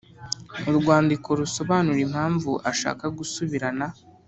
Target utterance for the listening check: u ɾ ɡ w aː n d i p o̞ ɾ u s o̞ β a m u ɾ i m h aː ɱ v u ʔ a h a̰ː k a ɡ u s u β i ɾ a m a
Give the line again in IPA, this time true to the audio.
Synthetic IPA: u ɾ ɡ w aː n d i k o̞ ɾ u s o̞ β a n u ɾ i m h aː ɱ v u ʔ a ʃ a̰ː k a ɡ u s u β i ɾ a n a